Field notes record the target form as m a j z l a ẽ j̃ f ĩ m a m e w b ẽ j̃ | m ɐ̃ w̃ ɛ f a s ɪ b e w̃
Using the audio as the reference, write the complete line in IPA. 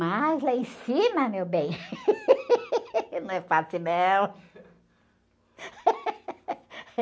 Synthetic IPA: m a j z l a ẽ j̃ s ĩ m ɐ m e w b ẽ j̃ | n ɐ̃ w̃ ɛ f a s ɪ m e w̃